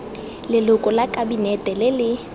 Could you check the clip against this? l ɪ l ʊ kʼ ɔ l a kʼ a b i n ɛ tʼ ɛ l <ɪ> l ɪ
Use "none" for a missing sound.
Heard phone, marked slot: ɪ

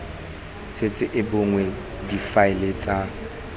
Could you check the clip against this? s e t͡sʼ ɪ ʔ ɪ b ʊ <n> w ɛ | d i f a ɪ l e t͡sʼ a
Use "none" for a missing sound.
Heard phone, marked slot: ŋ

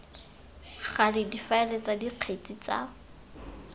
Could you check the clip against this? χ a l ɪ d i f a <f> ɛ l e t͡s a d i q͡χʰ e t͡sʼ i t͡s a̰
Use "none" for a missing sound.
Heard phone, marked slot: none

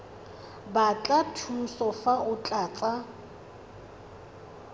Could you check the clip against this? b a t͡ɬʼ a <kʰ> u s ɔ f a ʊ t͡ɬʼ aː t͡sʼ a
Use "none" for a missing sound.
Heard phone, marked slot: tʰ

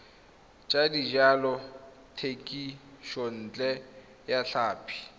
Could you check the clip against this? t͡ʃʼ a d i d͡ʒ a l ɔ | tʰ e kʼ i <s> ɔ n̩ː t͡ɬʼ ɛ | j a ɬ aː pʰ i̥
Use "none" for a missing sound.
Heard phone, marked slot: ʃ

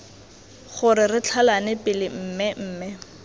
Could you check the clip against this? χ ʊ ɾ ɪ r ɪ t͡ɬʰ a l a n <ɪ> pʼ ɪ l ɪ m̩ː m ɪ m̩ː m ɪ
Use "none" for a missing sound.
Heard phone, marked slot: ɪ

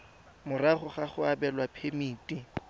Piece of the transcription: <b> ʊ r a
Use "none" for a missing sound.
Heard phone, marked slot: m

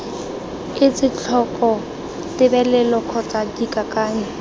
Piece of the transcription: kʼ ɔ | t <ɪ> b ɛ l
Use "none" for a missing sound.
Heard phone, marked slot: ɪ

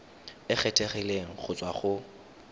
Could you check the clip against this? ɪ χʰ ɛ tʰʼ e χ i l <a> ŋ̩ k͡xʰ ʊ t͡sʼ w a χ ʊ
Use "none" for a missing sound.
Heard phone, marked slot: e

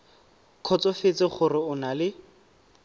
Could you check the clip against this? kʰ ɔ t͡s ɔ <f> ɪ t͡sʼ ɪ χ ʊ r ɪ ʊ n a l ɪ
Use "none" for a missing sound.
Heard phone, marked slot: f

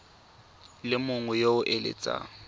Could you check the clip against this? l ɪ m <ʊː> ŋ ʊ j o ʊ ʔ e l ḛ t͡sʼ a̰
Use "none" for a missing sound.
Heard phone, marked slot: ʊ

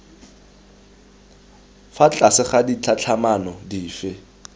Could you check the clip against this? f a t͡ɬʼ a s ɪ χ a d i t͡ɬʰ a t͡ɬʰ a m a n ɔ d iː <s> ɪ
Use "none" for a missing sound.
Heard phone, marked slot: f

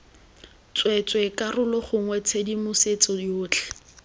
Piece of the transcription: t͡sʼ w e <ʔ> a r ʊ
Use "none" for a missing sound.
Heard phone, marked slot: k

